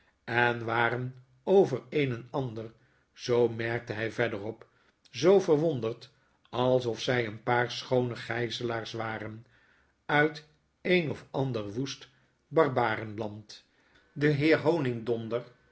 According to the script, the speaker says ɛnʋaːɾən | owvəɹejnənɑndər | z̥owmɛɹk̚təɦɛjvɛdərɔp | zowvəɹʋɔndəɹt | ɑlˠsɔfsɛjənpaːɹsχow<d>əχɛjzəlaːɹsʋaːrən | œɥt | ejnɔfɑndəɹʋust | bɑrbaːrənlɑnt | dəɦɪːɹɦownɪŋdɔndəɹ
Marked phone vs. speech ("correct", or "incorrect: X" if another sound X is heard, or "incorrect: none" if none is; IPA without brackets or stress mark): incorrect: n